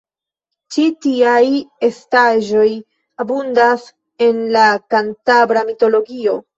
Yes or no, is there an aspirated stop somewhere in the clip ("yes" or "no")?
no